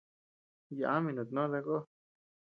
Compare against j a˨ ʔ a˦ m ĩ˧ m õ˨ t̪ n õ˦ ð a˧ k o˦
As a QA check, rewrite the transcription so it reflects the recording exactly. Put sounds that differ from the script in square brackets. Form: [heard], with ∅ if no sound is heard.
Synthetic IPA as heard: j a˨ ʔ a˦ m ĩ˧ [n] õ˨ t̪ n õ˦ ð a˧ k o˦